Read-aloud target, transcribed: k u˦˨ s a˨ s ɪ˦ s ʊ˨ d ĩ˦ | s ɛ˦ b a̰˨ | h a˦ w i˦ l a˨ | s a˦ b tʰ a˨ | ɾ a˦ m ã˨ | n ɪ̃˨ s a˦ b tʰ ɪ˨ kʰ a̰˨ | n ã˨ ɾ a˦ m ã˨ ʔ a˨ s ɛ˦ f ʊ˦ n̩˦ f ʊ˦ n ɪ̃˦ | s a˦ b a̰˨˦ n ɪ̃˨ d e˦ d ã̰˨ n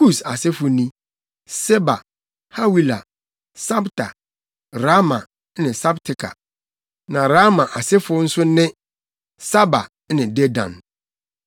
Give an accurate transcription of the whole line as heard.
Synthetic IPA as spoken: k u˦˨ s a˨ s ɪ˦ f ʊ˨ n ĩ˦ | s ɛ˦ b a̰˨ | h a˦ w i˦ l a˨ | s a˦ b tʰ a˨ | ɾ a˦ m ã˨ | n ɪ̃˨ s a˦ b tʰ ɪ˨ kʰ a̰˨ | n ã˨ ɾ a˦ m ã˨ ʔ a˨ s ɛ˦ f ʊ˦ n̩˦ s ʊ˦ n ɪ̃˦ | s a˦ b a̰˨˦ n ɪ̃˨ d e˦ d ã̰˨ n

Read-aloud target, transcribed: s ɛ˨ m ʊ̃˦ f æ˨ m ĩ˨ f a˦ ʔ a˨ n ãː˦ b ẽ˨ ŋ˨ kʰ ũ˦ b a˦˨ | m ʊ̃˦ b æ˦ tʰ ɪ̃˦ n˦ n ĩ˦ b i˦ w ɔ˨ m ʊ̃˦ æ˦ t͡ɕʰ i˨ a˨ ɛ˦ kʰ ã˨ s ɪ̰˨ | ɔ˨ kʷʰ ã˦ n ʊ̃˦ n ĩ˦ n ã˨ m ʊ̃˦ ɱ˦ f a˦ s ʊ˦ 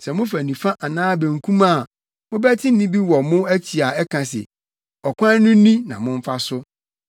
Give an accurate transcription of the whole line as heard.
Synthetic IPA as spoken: s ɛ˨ m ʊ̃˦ f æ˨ n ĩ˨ f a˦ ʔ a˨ n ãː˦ b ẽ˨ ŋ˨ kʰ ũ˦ m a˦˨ | m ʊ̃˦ b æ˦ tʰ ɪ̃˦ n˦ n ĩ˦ b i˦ w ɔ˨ m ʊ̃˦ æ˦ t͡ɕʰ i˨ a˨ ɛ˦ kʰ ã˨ s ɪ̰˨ | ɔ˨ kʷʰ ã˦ n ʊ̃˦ n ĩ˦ n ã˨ m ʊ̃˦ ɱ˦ f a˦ s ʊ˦

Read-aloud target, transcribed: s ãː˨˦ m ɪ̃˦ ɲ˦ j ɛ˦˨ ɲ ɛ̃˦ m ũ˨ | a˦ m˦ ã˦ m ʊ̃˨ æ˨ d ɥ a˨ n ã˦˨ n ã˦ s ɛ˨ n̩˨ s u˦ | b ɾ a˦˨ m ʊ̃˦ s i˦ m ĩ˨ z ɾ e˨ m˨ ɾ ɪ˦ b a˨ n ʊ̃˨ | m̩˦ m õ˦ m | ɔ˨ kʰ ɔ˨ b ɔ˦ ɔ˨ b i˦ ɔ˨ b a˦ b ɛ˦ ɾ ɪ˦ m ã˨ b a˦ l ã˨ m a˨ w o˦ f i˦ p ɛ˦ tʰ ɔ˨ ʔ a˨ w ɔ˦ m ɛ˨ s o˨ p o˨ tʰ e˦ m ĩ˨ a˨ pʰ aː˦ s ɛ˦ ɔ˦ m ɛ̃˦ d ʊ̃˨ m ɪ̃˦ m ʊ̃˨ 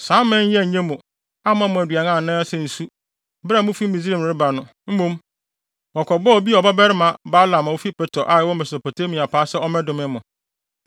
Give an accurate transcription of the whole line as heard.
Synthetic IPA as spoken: s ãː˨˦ m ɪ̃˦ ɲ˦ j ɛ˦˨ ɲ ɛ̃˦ m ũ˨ | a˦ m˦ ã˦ m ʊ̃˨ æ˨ d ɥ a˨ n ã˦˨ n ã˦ s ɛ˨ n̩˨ s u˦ | b ɾ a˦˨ m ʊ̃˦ f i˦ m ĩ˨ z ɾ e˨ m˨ ɾ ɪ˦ b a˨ n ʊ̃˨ | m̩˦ m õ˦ m | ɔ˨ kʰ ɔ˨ b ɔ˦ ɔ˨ b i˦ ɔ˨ b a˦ b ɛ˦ ɾ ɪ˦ m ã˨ b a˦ l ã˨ m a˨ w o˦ f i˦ p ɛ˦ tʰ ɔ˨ ʔ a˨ w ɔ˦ m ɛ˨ s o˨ p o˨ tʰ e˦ m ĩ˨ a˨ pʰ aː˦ s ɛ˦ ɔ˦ m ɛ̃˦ d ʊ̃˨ m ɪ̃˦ m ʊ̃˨

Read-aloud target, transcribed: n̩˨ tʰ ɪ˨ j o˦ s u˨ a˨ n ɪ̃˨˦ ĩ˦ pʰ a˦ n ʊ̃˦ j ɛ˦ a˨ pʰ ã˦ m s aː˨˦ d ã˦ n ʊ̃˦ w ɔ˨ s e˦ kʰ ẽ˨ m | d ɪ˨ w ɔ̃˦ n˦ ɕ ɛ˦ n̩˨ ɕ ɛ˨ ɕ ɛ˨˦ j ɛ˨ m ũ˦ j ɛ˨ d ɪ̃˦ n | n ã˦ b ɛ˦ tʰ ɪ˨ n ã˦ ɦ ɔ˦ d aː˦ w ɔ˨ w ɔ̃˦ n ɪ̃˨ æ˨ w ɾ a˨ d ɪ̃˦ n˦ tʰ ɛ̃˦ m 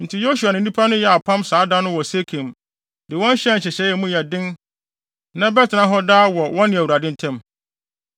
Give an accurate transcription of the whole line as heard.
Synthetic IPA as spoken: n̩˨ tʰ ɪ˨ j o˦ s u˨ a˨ n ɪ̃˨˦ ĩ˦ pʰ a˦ n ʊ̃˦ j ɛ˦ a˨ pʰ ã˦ m s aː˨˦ d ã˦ n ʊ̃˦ w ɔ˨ s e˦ kʰ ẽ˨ m | d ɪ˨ w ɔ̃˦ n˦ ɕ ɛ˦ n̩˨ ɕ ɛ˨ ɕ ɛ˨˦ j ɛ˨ m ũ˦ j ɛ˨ d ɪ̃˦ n | n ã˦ b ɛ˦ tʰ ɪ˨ n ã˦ ɦ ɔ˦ d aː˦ w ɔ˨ w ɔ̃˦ n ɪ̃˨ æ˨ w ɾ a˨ d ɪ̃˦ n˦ tʰ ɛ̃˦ m

